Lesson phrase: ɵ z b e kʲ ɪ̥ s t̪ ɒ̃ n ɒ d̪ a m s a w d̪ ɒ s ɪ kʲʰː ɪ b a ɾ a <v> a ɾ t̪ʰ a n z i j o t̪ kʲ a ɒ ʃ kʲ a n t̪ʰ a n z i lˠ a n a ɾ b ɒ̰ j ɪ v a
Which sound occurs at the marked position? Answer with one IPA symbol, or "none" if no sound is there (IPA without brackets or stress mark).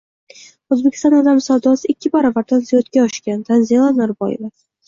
v